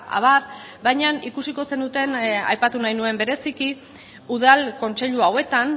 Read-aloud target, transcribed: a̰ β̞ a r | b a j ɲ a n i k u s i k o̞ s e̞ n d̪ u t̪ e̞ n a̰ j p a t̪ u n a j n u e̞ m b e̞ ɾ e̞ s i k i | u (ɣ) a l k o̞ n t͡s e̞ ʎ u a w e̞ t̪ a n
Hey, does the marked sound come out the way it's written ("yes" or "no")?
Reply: no